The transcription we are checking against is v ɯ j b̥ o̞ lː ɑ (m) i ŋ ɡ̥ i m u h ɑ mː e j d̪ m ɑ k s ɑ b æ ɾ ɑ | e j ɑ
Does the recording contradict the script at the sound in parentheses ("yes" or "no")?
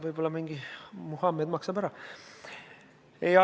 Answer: no